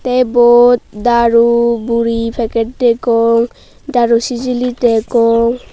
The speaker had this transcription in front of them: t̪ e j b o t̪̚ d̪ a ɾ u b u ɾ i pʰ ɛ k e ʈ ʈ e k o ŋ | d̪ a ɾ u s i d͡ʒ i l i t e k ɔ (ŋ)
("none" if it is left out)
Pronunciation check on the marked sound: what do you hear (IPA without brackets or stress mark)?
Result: ŋ